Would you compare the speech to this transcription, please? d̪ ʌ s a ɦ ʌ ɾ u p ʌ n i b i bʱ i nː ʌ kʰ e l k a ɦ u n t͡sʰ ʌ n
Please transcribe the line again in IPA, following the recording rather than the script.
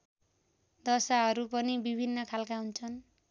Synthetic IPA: d̪ ʌ s a ɦ ʌ ɾ u p ʌ n i b i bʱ i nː ʌ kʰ a l k a ɦ u n t͡sʰ ʌ n